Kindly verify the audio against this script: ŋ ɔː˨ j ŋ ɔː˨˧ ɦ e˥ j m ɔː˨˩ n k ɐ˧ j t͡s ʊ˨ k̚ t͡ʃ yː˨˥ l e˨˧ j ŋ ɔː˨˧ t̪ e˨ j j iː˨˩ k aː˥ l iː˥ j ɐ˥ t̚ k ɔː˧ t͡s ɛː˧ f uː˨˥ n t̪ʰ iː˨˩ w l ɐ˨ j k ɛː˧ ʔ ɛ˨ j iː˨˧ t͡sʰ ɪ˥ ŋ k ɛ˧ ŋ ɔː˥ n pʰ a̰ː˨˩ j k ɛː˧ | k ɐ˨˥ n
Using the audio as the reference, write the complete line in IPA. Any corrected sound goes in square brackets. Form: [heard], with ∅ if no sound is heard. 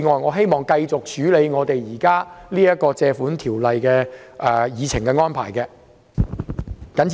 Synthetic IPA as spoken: ŋ ɔː˨ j ŋ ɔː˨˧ ɦ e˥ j m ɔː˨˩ [ŋ] k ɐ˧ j t͡s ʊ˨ k̚ t͡ʃ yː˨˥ l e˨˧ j ŋ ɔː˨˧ t̪ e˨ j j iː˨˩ k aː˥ l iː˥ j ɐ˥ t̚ k ɔː˧ t͡s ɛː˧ f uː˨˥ n t̪ʰ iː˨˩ w l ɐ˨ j k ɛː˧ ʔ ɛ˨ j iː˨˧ t͡sʰ [ɪ˨˩] ŋ k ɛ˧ ŋ ɔː˥ n pʰ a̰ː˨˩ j k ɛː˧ | k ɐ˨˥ n